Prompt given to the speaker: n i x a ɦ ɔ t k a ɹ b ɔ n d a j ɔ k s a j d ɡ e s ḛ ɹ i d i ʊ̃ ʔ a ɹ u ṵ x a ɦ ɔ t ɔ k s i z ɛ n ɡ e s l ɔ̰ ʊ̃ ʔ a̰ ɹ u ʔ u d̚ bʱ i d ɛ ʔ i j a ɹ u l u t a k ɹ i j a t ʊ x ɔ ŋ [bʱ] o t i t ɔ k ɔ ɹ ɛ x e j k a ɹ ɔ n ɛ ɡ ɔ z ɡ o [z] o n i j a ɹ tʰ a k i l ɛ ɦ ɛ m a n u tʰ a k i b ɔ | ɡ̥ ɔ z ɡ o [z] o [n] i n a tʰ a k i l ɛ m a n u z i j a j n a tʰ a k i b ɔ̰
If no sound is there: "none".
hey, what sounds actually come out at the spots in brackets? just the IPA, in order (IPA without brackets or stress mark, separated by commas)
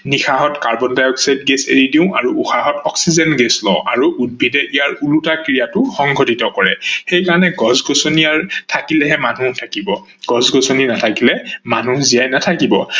ɡʱ, s, s, n